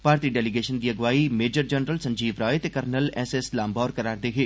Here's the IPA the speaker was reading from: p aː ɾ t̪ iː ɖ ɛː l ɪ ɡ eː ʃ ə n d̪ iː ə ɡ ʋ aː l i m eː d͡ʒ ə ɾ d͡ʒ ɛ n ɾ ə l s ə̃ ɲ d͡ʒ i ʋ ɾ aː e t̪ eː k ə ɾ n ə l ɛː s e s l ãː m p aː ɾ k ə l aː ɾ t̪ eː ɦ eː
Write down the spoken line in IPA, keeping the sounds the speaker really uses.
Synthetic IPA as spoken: p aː ɾ t̪ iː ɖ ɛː l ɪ ɡ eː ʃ ə n d̪ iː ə ɡ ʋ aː i m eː d͡ʒ ə ɾ d͡ʒ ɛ n ɾ ə l s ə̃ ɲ d͡ʒ iː ʋ ɾ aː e t̪ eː k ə ɾ n ə l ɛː s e s l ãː m b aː ɾ k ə ɾ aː ɾ d̪ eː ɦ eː